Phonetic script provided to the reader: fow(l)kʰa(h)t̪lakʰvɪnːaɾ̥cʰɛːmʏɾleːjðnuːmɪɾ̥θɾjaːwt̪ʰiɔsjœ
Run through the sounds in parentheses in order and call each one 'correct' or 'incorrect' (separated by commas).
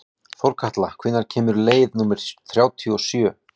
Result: incorrect, correct